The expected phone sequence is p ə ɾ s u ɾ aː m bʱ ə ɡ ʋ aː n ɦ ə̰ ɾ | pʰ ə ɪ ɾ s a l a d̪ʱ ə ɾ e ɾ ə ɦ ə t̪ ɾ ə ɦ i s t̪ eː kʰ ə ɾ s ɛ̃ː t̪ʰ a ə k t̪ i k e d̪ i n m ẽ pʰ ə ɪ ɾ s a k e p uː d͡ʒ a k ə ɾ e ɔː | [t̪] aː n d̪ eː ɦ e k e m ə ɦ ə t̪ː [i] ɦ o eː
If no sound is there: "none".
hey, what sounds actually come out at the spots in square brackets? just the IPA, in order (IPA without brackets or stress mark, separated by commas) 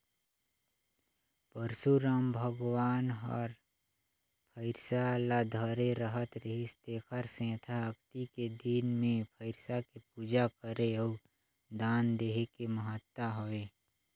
d̪, a